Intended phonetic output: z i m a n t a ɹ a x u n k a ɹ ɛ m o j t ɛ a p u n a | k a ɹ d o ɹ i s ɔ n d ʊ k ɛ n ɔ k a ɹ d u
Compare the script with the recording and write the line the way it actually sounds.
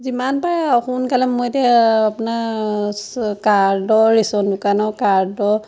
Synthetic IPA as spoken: z i m a n p a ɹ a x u n k a l ɛ m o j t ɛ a p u n a | k a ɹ d ɔ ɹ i s ɔ n d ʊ k a n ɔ k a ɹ d ɔ